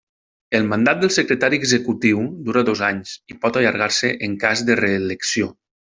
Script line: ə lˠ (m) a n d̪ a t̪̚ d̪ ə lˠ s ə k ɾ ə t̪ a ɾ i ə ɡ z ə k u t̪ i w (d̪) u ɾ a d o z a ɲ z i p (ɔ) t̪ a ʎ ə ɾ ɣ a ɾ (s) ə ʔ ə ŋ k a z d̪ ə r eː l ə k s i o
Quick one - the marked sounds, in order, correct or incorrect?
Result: correct, correct, correct, correct

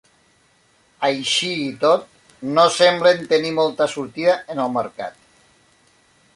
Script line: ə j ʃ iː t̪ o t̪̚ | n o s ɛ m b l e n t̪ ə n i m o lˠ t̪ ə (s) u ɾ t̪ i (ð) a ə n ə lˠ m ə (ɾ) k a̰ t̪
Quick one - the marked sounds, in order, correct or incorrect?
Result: correct, correct, correct

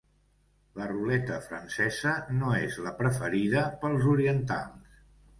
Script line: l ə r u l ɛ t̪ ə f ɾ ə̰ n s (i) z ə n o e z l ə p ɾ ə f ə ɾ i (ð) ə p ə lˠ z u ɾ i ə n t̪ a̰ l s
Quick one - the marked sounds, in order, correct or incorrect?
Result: incorrect, correct

